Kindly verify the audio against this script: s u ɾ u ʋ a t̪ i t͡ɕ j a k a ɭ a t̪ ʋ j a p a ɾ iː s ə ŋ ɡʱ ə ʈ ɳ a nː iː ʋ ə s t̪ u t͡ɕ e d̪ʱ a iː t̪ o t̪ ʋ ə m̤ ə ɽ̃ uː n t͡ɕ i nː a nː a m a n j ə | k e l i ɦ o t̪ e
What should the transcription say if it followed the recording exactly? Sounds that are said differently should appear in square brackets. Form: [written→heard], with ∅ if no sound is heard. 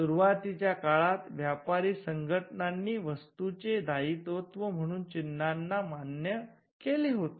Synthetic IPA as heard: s u ɾ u ʋ a t̪ i t͡ɕ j a k a ɭ a t̪ ʋ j a p a ɾ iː s ə ŋ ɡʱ ə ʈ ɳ a nː iː ʋ ə s t̪ u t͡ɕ e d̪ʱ a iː t̪ o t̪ ʋ ə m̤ ə ɽ̃ uː n t͡ɕ i nː a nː a m a n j ə | k e l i ɦ o t̪ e

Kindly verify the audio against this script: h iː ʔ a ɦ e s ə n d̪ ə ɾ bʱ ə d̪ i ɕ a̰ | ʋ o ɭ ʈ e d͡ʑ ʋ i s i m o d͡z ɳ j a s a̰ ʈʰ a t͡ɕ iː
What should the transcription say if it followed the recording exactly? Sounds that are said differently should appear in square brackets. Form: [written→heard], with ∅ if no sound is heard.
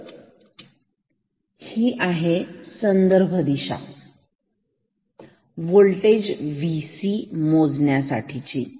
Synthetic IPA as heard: h iː ʔ a ɦ e s ə n d̪ ə ɾ bʱ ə d̪ i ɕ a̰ | ʋ o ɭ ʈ e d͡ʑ ʋ i s i m o d͡z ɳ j a s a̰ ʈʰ [a→i] t͡ɕ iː

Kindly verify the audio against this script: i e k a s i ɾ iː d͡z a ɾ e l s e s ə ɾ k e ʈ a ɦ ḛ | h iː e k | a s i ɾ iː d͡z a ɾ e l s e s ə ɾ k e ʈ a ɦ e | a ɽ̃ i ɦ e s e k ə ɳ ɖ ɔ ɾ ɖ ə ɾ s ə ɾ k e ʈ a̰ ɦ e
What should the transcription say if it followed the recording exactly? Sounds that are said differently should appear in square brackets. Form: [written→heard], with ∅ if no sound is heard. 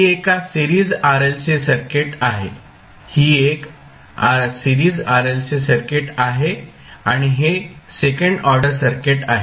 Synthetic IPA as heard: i e k a s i ɾ iː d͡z a ɾ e l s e s ə ɾ k e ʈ a ɦ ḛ | h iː e k | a s i ɾ iː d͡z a ɾ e l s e s ə ɾ k e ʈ a ɦ e | a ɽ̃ i ɦ e s e k ə ɳ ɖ ɔ ɾ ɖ ə ɾ s ə ɾ k e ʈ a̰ ɦ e

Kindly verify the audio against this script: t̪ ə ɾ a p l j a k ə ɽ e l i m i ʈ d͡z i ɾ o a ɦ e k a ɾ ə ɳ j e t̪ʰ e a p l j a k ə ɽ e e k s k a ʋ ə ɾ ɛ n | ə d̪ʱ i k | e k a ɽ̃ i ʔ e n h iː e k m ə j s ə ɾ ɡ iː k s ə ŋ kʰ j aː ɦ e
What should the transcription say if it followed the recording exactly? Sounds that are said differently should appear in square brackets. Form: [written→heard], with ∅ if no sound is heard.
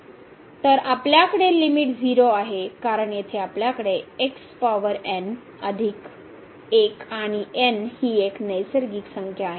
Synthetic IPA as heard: t̪ ə ɾ a p l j a k ə ɽ e l i m i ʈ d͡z i ɾ o a ɦ e k a ɾ ə ɳ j e t̪ʰ e a p l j a k ə ɽ e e k s [k→p] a ʋ ə ɾ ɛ n | ə d̪ʱ i k | e k a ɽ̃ i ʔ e n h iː e k [m→n] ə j s ə ɾ ɡ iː k s ə ŋ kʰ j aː ɦ e

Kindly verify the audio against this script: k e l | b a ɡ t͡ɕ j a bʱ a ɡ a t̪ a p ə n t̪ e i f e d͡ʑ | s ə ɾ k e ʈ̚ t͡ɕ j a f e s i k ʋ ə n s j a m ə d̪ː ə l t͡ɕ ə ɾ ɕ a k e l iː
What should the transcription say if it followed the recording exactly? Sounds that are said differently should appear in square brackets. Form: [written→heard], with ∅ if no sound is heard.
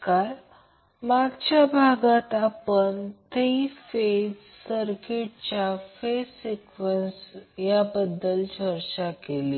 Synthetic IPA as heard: k [e→a] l | [b→m] a ɡ t͡ɕ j a bʱ a ɡ a t̪ a p ə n t̪ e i f e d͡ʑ | s ə ɾ k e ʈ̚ t͡ɕ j a f e s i k ʋ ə n s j a [m→b] ə d̪ː ə l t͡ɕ ə ɾ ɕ a k e l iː

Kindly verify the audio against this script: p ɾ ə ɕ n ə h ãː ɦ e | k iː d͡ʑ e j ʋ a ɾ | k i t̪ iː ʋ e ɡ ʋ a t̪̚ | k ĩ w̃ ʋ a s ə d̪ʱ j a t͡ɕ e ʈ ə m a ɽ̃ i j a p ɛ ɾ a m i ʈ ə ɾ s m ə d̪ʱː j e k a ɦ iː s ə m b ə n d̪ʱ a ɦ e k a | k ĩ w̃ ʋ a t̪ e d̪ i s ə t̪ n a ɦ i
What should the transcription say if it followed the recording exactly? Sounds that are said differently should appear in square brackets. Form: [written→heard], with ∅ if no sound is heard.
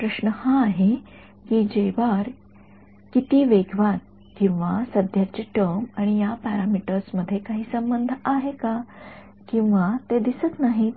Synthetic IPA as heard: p ɾ ə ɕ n ə h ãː ɦ e | k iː d͡ʑ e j ʋ a ɾ | k i t̪ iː ʋ e ɡ ʋ a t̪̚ | k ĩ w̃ ʋ a s ə d̪ʱ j a t͡ɕ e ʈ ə m a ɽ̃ i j a p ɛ ɾ a m i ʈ ə ɾ s m ə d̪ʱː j e k a ɦ iː s ə m b ə n d̪ʱ a ɦ e k a | k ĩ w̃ ʋ a t̪ e d̪ i s ə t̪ n a ɦ i

